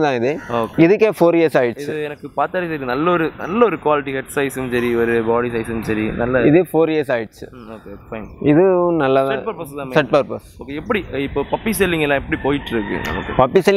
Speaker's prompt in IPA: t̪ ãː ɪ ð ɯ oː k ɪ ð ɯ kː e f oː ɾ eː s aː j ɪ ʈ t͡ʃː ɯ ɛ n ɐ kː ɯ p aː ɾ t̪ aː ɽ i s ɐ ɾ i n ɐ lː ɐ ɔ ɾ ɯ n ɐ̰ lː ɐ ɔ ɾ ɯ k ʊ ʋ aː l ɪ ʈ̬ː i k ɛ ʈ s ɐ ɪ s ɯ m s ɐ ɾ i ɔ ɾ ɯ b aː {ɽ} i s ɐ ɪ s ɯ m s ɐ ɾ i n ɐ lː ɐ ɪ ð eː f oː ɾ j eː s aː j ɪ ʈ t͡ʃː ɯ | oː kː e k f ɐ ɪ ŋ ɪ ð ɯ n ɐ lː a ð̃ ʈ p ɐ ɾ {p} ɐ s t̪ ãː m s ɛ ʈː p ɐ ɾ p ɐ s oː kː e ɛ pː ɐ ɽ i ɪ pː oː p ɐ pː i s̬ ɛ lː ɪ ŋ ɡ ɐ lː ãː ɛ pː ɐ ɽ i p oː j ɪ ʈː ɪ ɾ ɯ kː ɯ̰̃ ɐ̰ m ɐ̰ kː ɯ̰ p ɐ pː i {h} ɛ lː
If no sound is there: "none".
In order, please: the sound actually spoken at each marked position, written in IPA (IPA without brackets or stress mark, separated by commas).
ɽ, p, s